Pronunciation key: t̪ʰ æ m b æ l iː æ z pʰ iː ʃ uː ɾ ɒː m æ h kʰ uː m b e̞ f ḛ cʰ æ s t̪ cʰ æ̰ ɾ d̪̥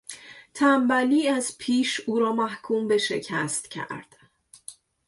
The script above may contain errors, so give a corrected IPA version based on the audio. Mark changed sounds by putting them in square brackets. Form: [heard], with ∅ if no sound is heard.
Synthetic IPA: t̪ʰ æ m b æ l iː æ z pʰ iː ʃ uː ɾ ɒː m æ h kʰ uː m b e̞ [ʃ] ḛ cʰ æ s t̪ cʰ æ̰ ɾ d̪̥

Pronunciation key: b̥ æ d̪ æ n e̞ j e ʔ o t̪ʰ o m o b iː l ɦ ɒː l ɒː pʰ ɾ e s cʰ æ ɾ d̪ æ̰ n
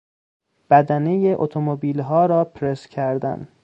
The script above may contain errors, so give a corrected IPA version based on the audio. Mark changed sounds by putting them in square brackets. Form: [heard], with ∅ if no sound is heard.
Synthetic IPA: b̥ æ d̪ æ n e̞ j e ʔ o t̪ʰ o m o b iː l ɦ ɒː [ɾ] ɒː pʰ ɾ e s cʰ æ ɾ d̪ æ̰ n

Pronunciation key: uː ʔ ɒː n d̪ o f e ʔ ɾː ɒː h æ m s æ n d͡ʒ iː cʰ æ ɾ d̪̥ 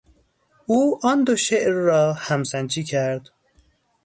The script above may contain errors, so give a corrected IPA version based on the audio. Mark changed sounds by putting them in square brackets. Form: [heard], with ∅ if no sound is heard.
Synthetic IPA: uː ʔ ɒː n d̪ o [ʃ] e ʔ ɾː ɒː h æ m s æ n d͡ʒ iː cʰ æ ɾ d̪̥

